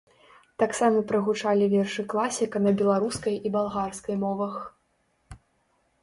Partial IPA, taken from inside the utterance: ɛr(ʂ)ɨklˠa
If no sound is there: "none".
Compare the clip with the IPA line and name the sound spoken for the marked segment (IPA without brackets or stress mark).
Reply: ʂ